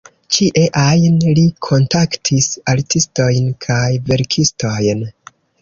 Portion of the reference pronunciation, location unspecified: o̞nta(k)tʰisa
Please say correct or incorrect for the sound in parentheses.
correct